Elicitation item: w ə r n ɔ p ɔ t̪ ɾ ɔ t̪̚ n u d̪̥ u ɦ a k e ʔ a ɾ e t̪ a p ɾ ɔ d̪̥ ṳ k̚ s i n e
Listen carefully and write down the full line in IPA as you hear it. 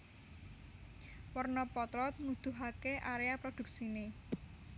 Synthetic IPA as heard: w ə r n ɔ p ɔ t̪ ɾ ɔ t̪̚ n u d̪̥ u ɦ a k e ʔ a ɾ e a p ɾ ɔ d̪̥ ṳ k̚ s i n e